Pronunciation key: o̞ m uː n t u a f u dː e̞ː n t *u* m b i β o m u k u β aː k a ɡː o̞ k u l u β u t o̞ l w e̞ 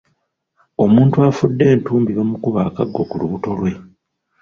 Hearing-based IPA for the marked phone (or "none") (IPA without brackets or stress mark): uː